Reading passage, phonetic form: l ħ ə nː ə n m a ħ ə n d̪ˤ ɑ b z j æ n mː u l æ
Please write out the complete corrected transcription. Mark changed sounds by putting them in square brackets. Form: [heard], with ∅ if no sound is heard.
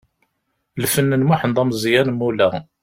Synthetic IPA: l [f] ə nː ə n m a ħ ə n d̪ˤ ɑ [m] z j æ n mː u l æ

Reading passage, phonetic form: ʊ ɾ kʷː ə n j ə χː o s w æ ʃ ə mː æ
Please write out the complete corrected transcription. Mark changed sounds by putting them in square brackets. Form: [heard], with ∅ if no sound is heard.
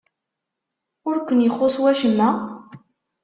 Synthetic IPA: ʊ ɾ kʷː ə n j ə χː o s w æ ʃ ə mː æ

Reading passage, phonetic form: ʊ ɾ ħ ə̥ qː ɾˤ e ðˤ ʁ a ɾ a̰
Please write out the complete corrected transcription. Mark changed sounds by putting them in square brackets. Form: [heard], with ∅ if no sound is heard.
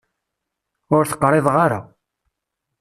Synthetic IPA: ʊ ɾ [θ] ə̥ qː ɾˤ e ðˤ ʁ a ɾ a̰

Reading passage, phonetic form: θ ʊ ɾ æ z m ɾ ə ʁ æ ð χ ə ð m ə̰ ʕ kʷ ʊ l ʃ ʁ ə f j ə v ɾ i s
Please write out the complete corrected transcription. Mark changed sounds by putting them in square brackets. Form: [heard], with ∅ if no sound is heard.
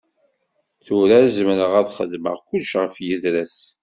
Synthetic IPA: θ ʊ ɾ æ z m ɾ ə ʁ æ ð χ ə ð m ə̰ [ʁ] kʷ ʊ l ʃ ʁ ə f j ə [ð] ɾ [æ] s

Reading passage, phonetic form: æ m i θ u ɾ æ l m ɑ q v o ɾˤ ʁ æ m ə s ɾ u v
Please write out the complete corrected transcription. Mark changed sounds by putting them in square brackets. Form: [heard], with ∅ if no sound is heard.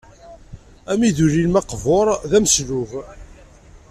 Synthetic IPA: æ m i [ð] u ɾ [i] l m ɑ q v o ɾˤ [ð] æ m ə s [l] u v

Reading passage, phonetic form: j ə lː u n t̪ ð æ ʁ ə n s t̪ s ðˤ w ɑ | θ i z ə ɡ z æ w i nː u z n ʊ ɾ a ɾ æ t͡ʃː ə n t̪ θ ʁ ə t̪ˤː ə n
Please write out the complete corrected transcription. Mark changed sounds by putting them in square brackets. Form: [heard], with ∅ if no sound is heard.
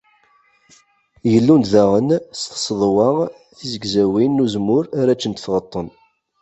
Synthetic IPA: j ə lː u n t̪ ð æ ʁ ə n s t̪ s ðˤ w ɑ | θ i z ə ɡ z æ w i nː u z [m] ʊ ɾ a ɾ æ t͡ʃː ə n t̪ θ ʁ ə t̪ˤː ə n

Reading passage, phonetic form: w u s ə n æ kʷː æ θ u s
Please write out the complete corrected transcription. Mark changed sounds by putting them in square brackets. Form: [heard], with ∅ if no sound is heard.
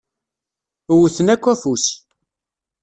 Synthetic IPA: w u [θ] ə n æ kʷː æ [f] u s

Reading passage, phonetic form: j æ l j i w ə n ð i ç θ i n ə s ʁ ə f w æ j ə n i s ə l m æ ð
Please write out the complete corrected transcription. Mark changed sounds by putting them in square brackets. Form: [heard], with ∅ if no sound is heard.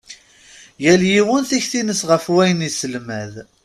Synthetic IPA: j æ l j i w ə n [θ] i ç θ i n ə s ʁ ə f w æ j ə n i s ə l m æ ð

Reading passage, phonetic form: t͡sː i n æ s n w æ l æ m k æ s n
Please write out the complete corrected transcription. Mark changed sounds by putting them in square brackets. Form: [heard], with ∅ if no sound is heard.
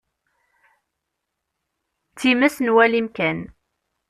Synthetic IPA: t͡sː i [m] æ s n w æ l [i] m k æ [∅] n

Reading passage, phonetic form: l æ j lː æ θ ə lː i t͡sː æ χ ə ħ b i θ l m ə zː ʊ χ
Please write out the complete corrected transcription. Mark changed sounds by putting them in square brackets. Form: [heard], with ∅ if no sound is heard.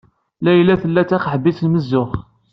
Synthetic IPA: l æ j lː æ θ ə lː [æ] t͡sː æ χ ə ħ b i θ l m ə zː ʊ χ

